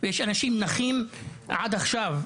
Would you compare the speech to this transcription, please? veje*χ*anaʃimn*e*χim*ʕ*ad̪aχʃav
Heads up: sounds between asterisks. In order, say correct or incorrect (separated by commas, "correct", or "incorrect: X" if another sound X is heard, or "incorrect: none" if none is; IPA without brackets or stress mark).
incorrect: ʃ, incorrect: a, correct